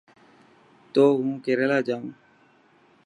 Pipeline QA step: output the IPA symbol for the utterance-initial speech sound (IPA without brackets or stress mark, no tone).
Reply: t̪